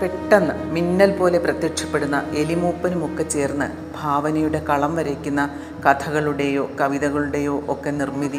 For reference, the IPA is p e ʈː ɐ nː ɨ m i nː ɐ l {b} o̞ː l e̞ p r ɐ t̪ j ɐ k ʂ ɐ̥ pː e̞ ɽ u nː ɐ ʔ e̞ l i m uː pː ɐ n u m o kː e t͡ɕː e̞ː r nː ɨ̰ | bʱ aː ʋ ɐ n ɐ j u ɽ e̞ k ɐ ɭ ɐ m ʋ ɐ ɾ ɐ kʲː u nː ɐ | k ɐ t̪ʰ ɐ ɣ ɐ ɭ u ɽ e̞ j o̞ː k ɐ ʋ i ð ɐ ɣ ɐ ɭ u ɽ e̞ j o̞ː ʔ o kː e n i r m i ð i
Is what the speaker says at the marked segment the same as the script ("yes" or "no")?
no